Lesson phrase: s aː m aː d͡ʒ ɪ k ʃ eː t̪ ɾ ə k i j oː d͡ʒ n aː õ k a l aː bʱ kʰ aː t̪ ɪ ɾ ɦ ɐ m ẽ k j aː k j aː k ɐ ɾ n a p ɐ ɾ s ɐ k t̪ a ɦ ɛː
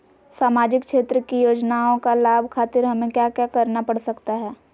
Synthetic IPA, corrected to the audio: s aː m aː d͡ʒ ɪ k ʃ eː t̪ ɾ ə k i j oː d͡ʒ n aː õ k a l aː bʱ kʰ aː t̪ ɪ ɾ ɦ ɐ m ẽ k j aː k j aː k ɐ ɾ n a p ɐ ɽ s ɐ k t̪ a ɦ ɛː